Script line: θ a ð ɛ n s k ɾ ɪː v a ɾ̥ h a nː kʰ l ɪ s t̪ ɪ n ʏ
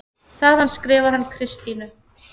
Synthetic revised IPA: θ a ð a n s k ɾ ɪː v a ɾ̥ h a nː kʰ ɾ ɪ s t̪ i n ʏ